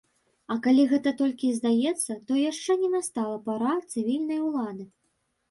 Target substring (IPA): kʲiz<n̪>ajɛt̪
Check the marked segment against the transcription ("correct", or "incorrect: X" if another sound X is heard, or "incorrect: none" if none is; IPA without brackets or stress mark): incorrect: d̪